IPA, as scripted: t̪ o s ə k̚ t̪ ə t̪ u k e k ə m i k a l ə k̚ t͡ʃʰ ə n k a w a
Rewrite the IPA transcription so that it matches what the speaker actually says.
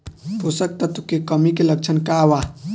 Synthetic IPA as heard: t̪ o s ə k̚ t̪ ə t̪ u k e k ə m i k e l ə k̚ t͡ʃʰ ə n k a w a